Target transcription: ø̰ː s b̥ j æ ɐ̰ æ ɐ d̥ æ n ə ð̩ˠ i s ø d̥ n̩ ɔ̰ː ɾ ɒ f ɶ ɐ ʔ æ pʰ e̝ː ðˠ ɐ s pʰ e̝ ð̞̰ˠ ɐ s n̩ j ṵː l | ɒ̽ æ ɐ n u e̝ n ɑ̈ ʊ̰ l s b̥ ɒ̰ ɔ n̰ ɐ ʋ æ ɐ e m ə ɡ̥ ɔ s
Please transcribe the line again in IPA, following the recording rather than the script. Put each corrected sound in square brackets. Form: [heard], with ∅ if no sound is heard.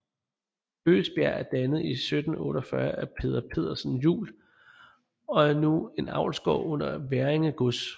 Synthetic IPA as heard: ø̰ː s b̥ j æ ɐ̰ æ ɐ d̥ æ n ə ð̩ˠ i s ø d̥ n̩ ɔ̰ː ɾ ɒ f ɶ ɐ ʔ æ pʰ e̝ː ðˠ ɐ [∅] pʰ e̝ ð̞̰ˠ ɐ s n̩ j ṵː l | ɒ̽ æ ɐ n u e̝ n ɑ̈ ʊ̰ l s [ɡ̥] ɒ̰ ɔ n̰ ɐ ʋ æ ɐ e [ŋ] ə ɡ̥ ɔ s